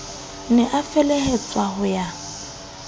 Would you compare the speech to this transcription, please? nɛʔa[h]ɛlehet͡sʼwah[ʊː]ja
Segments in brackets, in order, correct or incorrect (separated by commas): incorrect, incorrect